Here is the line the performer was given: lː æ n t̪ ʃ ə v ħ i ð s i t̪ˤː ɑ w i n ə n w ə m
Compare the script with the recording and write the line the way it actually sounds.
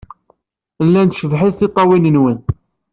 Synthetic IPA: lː æ n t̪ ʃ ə v ħ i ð θ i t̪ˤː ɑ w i n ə n w ə n